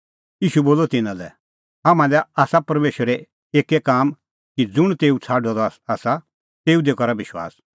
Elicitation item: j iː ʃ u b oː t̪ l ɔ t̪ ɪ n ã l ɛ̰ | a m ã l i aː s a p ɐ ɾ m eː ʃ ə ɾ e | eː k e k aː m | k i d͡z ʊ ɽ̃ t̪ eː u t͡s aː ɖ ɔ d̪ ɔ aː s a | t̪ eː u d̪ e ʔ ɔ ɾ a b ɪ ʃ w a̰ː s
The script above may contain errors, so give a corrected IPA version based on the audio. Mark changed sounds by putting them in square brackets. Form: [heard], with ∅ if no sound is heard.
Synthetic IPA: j iː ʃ u b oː [∅] l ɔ t̪ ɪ n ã l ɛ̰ | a m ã l [ɛ] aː s a p ɐ ɾ m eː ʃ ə ɾ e | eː k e k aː m | k i d͡z ʊ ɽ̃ t̪ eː u [t͡sʰ] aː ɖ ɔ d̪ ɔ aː s a | t̪ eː u d̪ e [k] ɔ ɾ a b ɪ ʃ w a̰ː s